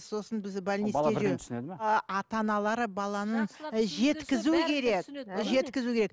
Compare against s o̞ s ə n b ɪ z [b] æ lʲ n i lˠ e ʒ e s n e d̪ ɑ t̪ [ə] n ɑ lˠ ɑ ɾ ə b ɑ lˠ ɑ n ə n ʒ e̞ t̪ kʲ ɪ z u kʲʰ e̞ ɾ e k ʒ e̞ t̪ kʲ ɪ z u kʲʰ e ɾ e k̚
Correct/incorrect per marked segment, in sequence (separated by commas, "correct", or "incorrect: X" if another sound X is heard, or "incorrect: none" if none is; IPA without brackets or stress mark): correct, incorrect: ɑ